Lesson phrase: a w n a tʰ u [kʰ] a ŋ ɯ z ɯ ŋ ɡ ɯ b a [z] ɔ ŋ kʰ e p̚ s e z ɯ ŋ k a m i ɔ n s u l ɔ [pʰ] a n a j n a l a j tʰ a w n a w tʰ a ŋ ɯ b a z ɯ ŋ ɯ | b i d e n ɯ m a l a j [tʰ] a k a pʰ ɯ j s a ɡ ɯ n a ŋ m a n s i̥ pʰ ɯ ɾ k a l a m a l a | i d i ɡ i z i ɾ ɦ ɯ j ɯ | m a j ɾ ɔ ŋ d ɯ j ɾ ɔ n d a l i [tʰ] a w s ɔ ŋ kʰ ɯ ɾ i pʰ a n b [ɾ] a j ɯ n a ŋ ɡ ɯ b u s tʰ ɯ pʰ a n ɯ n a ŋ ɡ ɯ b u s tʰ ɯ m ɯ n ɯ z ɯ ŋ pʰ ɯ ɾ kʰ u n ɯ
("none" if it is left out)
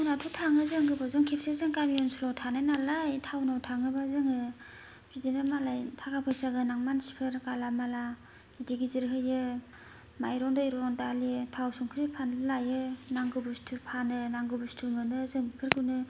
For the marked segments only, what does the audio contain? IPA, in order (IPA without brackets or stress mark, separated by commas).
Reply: tʰ, z, tʰ, tʰ, tʰ, l